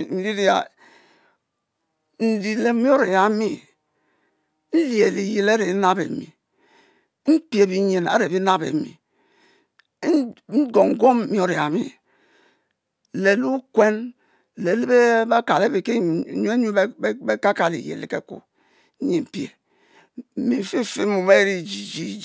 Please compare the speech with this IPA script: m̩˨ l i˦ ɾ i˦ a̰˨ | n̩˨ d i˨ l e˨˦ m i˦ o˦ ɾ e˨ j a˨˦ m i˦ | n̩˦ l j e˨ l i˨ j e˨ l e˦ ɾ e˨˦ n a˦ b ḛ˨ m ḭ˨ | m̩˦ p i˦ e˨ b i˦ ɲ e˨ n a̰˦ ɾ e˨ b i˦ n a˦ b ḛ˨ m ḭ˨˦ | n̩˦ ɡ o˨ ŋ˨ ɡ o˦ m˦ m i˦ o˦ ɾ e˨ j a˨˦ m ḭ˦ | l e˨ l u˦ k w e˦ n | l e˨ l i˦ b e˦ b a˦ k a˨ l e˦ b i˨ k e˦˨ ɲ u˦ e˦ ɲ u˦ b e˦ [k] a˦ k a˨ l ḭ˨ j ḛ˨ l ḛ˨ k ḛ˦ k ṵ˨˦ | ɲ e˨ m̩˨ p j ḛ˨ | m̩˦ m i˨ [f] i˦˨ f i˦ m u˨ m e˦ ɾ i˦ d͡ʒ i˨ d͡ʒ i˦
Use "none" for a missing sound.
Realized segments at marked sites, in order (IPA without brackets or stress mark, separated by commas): k, f